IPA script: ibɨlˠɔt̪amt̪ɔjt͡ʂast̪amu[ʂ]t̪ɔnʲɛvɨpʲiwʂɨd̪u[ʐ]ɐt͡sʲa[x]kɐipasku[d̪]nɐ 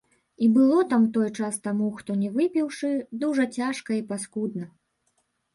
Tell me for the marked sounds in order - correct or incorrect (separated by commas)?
incorrect, correct, incorrect, correct